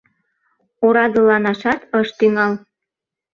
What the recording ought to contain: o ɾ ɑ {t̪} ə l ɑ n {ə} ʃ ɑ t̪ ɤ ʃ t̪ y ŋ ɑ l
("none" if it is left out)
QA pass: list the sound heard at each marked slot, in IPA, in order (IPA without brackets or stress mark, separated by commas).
d̪, ɑ